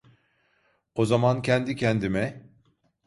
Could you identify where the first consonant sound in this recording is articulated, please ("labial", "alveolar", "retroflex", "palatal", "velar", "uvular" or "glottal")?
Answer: alveolar